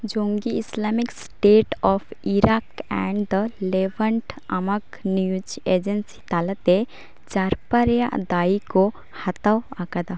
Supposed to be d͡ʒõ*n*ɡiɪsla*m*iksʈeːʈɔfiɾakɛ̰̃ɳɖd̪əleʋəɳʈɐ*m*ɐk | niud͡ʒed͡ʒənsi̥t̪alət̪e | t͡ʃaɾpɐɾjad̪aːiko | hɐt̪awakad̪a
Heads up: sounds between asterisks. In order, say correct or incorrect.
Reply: incorrect, correct, correct

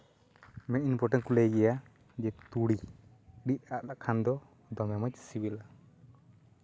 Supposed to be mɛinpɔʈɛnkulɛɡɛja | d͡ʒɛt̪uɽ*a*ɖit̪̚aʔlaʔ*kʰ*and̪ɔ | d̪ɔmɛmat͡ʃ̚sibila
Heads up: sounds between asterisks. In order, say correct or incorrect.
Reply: incorrect, correct

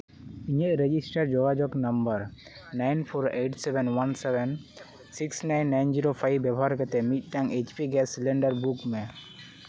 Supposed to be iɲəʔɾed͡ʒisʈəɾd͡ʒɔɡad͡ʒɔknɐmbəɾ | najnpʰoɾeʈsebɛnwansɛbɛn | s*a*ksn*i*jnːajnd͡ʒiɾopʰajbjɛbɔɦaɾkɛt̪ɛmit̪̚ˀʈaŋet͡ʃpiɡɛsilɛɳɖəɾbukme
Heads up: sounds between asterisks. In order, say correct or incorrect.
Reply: incorrect, incorrect

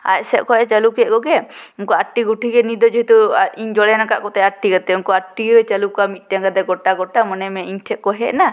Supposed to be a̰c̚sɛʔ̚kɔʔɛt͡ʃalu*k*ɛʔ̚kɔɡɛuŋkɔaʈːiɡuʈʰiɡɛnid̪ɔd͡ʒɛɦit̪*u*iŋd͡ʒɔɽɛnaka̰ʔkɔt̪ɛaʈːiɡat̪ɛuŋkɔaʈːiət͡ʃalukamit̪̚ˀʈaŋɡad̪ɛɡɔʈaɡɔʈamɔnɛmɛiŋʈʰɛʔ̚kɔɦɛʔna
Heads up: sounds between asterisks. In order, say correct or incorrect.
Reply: correct, correct

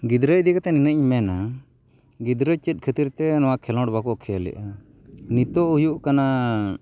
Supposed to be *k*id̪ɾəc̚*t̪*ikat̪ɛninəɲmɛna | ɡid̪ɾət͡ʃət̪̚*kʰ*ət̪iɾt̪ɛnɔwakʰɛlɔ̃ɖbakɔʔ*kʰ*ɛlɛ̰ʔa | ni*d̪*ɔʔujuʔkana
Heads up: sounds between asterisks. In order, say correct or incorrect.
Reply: incorrect, incorrect, correct, correct, incorrect

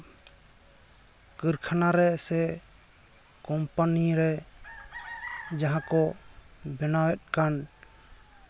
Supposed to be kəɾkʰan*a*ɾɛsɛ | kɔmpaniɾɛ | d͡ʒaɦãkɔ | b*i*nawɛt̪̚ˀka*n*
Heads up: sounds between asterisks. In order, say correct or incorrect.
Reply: correct, incorrect, correct

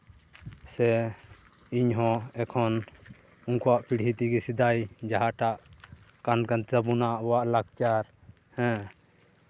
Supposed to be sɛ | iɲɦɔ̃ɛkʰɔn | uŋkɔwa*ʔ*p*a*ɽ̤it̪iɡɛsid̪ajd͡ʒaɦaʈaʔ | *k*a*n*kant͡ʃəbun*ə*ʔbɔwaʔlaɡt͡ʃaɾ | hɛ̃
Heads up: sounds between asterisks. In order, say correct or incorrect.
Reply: correct, incorrect, correct, correct, incorrect

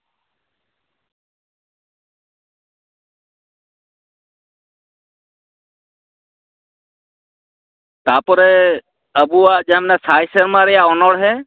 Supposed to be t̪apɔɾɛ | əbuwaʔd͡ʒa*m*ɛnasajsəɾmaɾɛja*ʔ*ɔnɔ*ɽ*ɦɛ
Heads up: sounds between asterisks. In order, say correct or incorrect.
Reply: correct, correct, correct

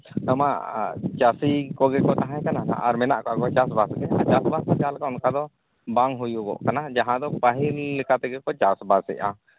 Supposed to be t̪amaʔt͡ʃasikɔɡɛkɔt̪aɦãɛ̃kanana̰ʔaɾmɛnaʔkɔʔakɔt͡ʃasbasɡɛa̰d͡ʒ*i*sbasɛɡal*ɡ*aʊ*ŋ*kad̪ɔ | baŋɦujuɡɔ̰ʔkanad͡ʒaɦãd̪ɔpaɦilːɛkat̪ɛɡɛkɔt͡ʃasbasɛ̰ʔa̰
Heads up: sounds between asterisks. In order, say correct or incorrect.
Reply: incorrect, incorrect, incorrect

